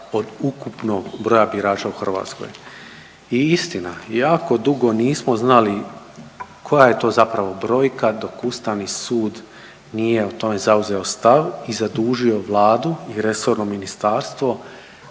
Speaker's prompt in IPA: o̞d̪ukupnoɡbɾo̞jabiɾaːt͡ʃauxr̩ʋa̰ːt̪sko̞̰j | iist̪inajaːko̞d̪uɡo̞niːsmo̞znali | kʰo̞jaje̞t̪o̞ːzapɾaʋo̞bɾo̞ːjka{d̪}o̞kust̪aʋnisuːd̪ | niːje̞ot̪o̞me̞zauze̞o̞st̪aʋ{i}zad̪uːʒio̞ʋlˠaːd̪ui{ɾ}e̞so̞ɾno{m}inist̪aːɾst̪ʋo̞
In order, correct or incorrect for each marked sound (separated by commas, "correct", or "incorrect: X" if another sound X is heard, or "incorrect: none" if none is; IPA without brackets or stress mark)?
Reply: correct, correct, correct, correct